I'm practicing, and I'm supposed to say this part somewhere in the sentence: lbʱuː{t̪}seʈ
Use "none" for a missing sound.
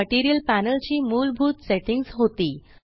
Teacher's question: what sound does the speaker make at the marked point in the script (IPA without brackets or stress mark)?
t̪